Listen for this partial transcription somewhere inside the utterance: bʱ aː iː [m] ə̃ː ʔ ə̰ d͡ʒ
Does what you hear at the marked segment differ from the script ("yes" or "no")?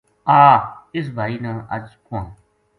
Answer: yes